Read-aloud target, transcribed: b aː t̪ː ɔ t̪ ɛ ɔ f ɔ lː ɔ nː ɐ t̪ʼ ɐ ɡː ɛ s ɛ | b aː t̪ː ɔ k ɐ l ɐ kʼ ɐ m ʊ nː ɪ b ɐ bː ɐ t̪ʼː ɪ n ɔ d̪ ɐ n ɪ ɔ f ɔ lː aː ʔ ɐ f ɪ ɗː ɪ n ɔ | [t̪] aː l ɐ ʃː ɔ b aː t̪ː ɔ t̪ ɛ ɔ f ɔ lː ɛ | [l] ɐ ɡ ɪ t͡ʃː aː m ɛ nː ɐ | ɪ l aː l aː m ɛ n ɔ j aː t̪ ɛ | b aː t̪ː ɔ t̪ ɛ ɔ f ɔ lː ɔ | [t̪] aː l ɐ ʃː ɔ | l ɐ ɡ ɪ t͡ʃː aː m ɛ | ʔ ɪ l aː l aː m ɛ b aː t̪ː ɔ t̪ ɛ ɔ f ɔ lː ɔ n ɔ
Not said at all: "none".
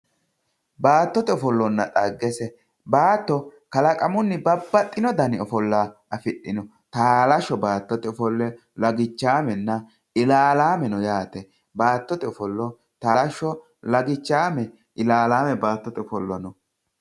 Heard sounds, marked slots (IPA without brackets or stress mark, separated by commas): t̪, l, t̪